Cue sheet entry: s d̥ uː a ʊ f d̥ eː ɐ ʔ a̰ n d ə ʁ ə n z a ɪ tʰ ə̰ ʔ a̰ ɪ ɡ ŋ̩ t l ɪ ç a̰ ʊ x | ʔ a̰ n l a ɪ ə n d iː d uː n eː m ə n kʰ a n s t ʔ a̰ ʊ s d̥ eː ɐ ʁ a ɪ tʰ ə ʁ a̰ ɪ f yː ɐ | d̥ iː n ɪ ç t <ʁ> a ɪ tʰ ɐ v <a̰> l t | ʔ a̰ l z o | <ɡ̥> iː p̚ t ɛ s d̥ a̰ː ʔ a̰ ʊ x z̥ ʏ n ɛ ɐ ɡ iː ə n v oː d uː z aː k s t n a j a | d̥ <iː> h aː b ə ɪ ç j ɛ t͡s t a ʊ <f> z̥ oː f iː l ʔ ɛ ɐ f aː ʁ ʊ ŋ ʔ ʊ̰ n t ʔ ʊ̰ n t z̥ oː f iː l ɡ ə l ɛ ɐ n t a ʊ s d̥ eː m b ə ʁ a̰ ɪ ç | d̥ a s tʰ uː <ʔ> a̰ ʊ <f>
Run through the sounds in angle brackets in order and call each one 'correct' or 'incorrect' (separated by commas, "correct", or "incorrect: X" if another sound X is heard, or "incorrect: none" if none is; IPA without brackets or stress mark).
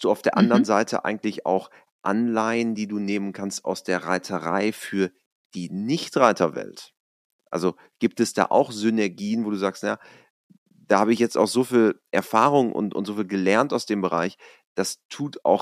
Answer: correct, incorrect: ɛ̰, correct, incorrect: aː, incorrect: x, incorrect: t, incorrect: x